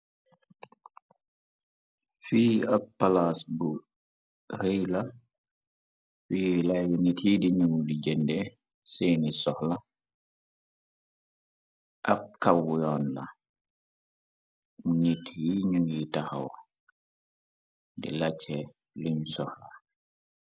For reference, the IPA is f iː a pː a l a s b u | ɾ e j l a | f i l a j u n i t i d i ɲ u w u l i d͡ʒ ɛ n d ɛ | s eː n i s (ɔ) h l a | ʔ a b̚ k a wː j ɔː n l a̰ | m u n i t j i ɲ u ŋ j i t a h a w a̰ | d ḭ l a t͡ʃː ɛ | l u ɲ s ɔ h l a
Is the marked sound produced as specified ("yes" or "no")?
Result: yes